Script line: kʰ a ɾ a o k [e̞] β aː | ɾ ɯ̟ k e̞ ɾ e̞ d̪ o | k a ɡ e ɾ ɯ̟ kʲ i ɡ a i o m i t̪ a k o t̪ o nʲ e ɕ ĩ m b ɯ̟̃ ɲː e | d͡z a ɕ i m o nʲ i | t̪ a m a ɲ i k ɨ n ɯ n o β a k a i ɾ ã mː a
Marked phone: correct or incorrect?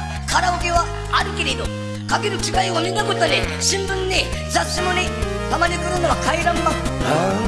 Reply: correct